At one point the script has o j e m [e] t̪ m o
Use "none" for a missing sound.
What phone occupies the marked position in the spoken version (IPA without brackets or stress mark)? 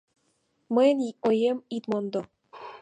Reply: i